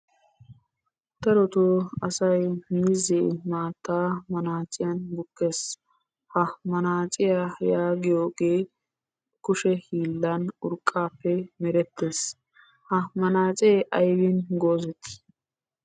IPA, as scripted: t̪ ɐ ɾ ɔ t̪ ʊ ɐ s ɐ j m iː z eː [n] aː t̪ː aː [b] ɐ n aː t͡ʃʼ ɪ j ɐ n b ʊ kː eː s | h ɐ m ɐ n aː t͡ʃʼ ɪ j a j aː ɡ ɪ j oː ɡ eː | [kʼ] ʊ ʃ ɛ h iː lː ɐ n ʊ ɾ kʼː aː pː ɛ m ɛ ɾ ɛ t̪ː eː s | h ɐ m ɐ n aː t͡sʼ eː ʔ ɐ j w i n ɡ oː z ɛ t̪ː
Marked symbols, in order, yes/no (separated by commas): no, no, no